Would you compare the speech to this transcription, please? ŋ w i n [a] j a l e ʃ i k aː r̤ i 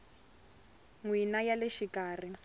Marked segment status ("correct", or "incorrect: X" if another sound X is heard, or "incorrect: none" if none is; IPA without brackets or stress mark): correct